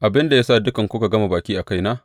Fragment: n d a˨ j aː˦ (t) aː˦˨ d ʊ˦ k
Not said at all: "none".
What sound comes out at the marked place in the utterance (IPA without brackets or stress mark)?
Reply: s